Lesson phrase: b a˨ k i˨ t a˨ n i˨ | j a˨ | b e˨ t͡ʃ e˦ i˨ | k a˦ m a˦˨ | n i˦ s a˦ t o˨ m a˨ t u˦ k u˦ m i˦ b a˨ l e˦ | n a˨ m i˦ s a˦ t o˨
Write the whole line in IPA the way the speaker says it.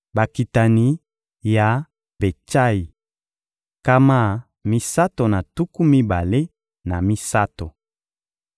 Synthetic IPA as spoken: b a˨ k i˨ t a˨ n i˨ | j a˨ | b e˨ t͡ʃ a˦ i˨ | k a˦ m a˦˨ | m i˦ s a˦ t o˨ n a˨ t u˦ k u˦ m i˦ b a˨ l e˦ | n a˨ m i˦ s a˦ t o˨